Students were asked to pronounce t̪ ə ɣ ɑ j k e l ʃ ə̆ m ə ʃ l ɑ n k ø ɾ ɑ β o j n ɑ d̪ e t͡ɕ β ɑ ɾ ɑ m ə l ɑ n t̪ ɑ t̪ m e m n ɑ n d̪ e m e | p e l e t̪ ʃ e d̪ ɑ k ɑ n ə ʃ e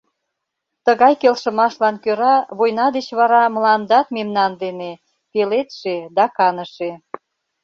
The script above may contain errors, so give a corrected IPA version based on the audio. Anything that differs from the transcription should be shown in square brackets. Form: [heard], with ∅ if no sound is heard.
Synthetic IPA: t̪ ə ɣ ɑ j k e l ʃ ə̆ m [ɑ] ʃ l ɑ n k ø ɾ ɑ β o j n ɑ d̪ e t͡ɕ β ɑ ɾ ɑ m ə l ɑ n [d̪] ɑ t̪ m e m n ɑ n d̪ e [n] e | p e l e t̪ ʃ e d̪ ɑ k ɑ n ə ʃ e